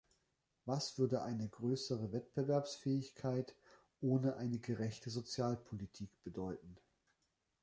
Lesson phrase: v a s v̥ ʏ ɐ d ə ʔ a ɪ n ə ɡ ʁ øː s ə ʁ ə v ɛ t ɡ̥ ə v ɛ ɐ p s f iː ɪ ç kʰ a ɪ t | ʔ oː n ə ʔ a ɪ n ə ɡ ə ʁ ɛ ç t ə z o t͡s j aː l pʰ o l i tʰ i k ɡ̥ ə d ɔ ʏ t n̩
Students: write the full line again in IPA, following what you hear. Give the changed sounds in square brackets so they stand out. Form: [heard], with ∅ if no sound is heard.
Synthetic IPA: v a s v̥ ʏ ɐ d ə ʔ a ɪ n ə ɡ ʁ øː s ə ʁ ə v ɛ t [b̥] ə v ɛ ɐ p s f [ɛː] ɪ ç kʰ a ɪ t | ʔ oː n ə ʔ a ɪ n ə ɡ ə ʁ ɛ ç t ə z o t͡s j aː l pʰ o l i tʰ [iː] k [b̥] ə d ɔ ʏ t n̩